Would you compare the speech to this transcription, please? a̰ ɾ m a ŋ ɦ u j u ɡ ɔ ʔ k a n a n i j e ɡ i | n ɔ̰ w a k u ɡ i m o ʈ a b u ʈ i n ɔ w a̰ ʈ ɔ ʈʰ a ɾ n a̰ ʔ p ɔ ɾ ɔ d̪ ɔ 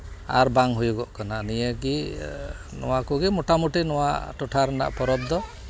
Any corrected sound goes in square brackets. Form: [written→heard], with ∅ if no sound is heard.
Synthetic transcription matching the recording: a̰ ɾ [m→b] a ŋ ɦ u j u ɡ ɔ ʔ k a n a n i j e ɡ i | n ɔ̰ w a k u ɡ i m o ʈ a [b→m] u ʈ i n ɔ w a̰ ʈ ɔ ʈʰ a ɾ n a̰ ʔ p ɔ ɾ ɔ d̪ ɔ